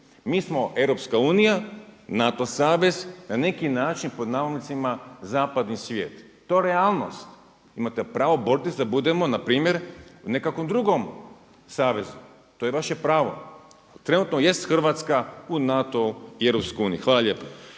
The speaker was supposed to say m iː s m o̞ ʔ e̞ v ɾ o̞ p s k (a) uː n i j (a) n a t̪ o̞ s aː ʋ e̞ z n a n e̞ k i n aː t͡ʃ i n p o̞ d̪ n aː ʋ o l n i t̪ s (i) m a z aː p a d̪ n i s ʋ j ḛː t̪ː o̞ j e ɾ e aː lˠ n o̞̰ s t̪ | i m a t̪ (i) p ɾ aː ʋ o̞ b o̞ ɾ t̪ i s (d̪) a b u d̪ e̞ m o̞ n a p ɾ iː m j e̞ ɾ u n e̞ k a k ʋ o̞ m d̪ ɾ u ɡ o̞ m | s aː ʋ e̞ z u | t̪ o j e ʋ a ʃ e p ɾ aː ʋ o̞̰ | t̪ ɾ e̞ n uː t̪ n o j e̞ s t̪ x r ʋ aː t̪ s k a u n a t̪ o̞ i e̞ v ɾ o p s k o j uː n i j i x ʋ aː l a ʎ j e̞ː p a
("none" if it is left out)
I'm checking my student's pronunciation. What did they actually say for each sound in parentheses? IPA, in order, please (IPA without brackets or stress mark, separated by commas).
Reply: a, a, i, e, d̪